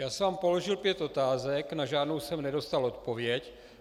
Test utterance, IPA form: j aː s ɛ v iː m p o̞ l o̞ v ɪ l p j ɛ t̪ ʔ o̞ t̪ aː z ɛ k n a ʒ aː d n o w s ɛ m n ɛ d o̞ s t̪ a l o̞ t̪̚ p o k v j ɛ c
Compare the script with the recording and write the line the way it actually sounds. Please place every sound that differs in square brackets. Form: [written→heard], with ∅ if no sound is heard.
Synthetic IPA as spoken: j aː s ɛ v [iː→aː] m p o̞ l o̞ [v→ʒ] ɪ l p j ɛ t̪ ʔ o̞ t̪ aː z ɛ k n a ʒ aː d n o w s ɛ m n ɛ d o̞ s t̪ a l o̞ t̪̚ p o [k→∅] v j ɛ c